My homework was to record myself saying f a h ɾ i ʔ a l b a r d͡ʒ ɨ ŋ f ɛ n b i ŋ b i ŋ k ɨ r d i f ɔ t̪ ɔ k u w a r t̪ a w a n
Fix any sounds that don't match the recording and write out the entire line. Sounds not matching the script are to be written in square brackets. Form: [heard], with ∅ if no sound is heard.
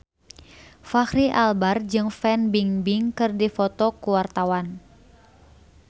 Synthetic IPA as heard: f a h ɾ i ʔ a l b a r d͡ʒ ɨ ŋ f ɛ n b i ŋ b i ŋ k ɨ r d i f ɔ t̪ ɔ k u w a r t̪ a w a n